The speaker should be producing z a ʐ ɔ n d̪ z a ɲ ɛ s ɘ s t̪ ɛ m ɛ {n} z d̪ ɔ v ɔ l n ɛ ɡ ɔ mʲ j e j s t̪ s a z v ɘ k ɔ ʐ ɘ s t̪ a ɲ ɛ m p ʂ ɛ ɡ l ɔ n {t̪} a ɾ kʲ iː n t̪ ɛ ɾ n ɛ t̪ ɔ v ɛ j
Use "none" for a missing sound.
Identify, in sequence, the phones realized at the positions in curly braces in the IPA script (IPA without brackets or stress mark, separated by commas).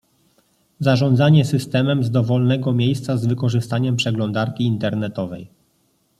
m, d̪